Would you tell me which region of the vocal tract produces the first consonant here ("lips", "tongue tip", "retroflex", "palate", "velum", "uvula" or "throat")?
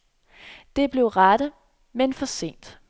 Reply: tongue tip